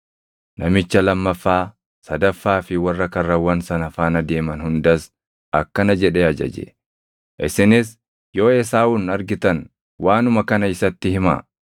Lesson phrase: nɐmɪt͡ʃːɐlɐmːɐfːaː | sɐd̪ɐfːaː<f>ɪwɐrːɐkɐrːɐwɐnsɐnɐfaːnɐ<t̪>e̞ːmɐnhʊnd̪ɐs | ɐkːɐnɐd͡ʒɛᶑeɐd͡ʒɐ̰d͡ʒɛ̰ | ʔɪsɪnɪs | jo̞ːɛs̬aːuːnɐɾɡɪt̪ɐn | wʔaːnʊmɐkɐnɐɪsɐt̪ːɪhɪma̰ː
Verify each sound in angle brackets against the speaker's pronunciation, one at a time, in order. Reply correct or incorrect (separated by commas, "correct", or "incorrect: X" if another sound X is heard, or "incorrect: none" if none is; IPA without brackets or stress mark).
correct, incorrect: d̪